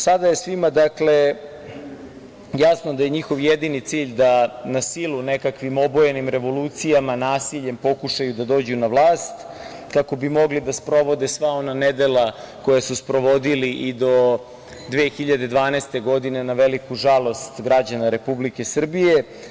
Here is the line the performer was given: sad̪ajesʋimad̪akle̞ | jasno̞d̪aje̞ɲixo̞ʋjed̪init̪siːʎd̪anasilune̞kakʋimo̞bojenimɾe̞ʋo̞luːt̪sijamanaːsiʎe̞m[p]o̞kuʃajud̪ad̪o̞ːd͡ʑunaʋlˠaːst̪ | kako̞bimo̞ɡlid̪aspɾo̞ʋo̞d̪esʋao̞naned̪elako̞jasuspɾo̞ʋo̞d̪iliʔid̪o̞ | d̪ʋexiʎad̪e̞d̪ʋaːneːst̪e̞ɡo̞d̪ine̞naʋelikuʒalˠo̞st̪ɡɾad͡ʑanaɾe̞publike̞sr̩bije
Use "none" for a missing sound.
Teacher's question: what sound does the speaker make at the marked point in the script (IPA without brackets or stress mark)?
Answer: p